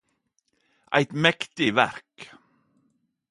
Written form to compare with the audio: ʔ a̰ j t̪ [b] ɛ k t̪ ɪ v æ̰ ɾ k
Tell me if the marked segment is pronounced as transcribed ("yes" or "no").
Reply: no